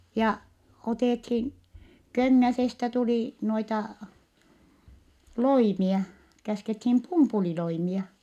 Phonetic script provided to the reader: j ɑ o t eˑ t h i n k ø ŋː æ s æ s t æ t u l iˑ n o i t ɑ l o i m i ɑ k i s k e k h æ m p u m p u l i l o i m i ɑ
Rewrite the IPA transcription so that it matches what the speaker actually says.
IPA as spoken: j ɑ o t eˑ t h i n k ø ŋː æ s e s t æ t u l iˑ n o i t ɑ l o i m i ɑ k æ s k e t h i m p u m p u l i l o i m i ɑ

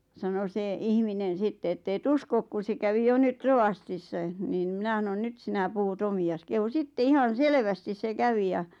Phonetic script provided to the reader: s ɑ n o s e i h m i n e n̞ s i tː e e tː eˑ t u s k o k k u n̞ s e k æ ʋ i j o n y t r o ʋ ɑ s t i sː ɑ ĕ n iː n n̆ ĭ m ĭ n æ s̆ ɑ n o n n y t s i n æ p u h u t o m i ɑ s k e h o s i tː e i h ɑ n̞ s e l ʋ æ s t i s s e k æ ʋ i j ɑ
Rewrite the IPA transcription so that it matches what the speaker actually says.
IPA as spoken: s ɑ n o s e i h m i n e n̞ s i tː e e tː eˑ t u s k o k k u n̞ s e k æ ʋ i j o n y t r o ʋ ɑ s t i sː ɑ ĕ n iː n n̆ ĭ m ĭ n æ s̆ ɑ n o n n y t s i n æ p u h u t o m i ɑ s k e h u s i tː e i h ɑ n̞ s e l ʋ æ s t i s s e k æ ʋ i j ɑ

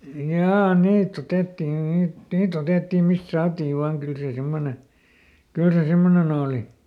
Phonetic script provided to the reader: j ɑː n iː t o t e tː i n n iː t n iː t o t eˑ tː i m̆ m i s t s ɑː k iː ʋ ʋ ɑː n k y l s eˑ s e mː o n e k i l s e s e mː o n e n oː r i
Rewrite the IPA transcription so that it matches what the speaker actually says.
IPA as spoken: j ɑː n iː t o t e tː i n n iː t n iː t o t eˑ tː i m̆ m i s t s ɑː t iː ʋ ʋ ɑː ŋ k y l s eˑ s e mː o n e k y l s e s e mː o n e n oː l i

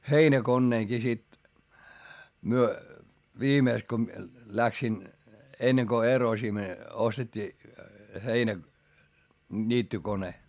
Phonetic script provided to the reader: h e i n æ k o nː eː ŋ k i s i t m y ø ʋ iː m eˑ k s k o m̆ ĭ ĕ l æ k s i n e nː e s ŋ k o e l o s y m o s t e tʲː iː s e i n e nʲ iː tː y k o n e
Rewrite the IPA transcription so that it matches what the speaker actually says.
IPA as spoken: h e i n æ k o nː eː ŋ k i s i t m y ø ʋ iː m eˑ k s k o m̆ ĭ ĕ l æ k s i n e nː e ŋ k o e r o s i m o s t e tʲː iː h e i n æ nʲ iː tː y k o n e

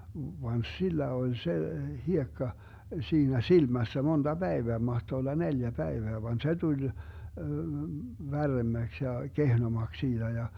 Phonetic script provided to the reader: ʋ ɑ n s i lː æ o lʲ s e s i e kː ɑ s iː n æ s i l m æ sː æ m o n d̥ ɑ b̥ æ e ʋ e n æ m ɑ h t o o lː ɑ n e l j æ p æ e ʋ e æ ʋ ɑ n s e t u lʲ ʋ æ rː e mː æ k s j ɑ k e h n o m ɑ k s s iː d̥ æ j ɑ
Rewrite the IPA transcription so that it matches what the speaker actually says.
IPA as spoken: ʋ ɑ n s i lː æ o lʲ s e h i e kː ɑ s iː n æ s i l m æ sː æ m o n d̥ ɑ b̥ æ e ʋ e æ m ɑ h t o o lː ɑ n e l j æ p æ e ʋ e æ ʋ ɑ n s e t u lʲ ʋ æ rː e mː æ k s j ɑ k e h n o m ɑ k s s iː d̥ æ j ɑ

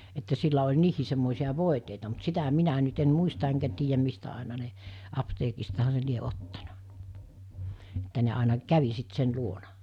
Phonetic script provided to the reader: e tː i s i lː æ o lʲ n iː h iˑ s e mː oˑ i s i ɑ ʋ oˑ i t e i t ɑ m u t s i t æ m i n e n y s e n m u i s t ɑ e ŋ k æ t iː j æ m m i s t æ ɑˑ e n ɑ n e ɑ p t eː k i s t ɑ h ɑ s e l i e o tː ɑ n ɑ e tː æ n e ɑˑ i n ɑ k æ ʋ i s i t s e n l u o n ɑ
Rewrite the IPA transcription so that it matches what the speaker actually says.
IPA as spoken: e tː æ s i lː æ o lʲ n iː h iˑ s e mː oˑ i s i ɑ ʋ oˑ i t e i t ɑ m u t s i t æ m i n æ n y t e n m u i s t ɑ e ŋ k æ t iː j æ m m i s t æ ɑˑ e n ɑ n e ɑ p t eː k i s t ɑ h ɑ s e l i e o tː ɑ n ɑ e tː æ n e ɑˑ i n ɑ k æ ʋ i s i t s e n l u o n ɑ

